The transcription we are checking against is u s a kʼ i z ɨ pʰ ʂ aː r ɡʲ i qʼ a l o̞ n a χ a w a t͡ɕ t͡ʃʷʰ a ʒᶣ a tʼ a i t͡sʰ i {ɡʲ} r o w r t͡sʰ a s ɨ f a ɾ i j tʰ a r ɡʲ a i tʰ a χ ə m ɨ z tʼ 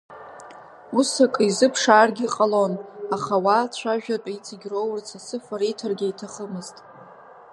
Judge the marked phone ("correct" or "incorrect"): correct